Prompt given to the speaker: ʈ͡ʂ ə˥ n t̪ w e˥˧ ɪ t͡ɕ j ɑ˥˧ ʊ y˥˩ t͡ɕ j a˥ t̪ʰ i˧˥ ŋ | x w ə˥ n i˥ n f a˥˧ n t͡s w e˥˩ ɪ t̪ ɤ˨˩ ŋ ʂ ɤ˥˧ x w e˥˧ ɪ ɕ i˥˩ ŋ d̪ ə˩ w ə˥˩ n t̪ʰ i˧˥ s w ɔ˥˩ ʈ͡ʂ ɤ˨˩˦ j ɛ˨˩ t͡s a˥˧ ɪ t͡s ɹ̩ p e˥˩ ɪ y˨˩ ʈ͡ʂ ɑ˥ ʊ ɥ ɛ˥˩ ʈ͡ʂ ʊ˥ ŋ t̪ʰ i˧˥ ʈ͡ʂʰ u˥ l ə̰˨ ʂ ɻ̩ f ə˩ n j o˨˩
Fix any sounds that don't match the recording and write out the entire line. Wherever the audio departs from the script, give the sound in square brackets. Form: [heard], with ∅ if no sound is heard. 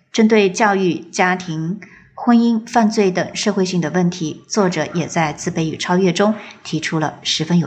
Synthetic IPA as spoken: ʈ͡ʂ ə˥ n t̪ w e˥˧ ɪ t͡ɕ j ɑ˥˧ ʊ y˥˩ t͡ɕ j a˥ t̪ʰ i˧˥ ŋ | x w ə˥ n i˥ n f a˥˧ n t͡s w e˥˩ ɪ t̪ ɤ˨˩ ŋ ʂ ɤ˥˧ x w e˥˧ ɪ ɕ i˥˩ ŋ d̪ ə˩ w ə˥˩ n t̪ʰ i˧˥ [t͡s] w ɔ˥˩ ʈ͡ʂ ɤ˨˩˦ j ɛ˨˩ t͡s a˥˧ ɪ t͡s ɹ̩ p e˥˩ ɪ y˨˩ [ʈ͡ʂʰ] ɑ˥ ʊ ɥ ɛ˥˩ ʈ͡ʂ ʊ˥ ŋ t̪ʰ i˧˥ ʈ͡ʂʰ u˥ l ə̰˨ ʂ ɻ̩ f [ə˥] n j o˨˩